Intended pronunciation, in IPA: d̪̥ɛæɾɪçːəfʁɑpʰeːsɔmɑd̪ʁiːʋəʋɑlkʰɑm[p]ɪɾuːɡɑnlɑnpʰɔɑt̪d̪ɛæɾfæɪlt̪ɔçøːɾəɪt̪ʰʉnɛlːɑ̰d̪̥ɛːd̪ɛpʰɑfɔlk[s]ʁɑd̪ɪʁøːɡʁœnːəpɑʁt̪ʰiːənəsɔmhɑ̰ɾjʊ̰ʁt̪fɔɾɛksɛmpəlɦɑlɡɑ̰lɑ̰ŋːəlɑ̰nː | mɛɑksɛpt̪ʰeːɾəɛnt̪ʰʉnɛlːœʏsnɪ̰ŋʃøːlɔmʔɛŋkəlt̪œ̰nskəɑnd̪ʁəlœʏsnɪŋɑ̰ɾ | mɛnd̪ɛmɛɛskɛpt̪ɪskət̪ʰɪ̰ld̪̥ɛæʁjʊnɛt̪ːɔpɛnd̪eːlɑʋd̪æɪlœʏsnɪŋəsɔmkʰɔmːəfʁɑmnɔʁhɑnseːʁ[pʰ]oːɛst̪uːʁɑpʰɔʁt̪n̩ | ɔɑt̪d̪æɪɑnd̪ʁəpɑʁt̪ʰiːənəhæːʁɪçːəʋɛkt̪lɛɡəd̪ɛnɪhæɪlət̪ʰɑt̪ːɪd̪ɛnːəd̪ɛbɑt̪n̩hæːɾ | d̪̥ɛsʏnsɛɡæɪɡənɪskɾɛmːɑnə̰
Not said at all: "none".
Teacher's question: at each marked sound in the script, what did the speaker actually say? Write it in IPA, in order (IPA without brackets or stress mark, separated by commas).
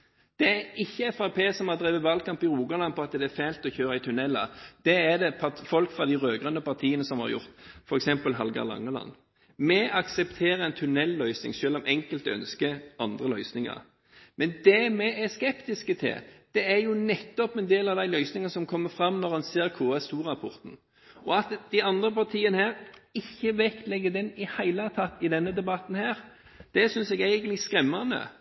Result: p, f, kʰ